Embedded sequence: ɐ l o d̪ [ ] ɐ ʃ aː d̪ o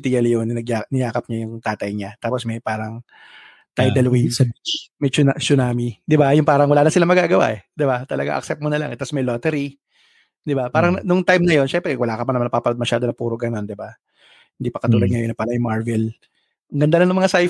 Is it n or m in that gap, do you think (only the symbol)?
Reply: m